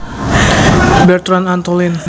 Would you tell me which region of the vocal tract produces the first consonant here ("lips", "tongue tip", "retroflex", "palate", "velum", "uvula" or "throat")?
lips